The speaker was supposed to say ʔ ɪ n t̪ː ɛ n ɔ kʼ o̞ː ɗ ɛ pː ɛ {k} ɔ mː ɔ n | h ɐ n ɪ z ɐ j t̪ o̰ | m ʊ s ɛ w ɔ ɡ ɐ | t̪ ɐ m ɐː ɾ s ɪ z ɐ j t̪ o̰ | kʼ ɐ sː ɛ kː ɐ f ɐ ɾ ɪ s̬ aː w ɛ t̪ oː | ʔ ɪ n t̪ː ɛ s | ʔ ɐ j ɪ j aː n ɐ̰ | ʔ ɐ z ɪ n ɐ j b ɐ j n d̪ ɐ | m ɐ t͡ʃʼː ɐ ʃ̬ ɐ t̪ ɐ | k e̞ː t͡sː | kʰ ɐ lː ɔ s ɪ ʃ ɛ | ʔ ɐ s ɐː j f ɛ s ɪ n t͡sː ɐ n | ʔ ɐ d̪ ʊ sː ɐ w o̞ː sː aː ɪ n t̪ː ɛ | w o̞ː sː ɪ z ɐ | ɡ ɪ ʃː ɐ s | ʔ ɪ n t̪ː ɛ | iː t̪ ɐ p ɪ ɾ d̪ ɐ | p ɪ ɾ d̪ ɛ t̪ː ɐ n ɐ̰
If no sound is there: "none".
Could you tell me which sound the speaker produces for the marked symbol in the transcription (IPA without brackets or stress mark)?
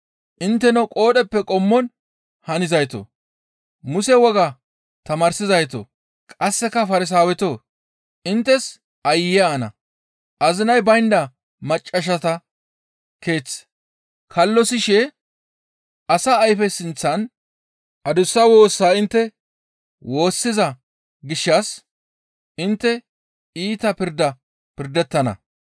kʼ